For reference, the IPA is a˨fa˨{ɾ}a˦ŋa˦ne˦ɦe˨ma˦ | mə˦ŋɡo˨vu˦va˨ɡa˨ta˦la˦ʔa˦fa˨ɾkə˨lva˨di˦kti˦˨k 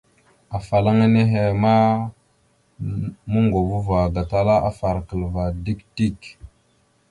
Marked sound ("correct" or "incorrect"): incorrect